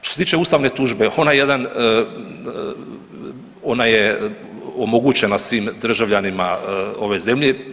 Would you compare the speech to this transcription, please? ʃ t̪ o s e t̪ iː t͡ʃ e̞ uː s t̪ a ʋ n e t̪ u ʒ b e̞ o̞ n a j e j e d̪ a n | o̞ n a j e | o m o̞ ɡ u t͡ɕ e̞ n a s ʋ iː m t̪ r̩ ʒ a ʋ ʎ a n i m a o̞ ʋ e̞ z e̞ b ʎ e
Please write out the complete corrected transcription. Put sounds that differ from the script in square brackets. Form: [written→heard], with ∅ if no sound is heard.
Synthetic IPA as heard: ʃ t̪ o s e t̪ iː t͡ʃ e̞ uː s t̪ a ʋ n e t̪ u ʒ b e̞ o̞ n a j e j e d̪ a n | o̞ n a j e | o m o̞ ɡ u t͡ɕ e̞ n a s ʋ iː m [t̪→d̪] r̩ ʒ a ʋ ʎ a n i m a o̞ ʋ e̞ z e̞ [b→m] ʎ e